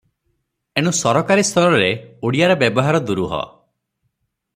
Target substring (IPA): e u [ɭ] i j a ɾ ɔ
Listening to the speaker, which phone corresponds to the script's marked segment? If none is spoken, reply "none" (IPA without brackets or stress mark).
ɽ